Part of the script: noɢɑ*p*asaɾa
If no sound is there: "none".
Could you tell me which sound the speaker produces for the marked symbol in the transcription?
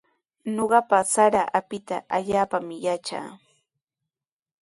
p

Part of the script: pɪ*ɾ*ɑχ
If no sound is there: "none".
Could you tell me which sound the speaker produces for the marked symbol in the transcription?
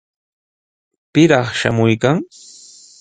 ɾ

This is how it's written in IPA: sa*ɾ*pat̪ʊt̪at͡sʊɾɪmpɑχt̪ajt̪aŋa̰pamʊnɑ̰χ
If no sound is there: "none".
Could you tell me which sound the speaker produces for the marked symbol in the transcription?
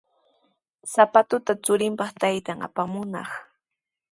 none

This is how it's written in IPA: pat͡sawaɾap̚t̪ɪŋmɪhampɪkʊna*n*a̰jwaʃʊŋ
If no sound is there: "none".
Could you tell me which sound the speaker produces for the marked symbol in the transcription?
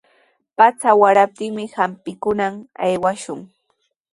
m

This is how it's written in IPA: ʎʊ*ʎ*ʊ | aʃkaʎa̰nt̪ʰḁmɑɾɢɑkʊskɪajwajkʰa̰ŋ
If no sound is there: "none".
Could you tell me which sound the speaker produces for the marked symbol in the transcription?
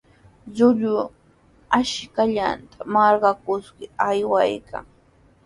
ʎ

